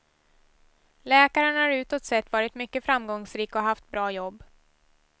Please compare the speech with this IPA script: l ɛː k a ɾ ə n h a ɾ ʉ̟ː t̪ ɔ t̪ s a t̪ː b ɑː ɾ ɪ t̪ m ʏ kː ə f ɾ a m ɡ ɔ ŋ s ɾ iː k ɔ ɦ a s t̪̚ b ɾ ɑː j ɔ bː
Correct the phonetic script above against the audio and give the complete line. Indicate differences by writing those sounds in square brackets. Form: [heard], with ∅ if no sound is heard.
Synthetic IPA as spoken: l ɛː k a ɾ ə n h a ɾ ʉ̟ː t̪ ɔ t̪ s [ɛ] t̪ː [v] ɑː ɾ ɪ t̪ m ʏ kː ə f ɾ a m ɡ ɔ ŋ s ɾ iː k ɔ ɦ a [f] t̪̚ b ɾ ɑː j ɔ bː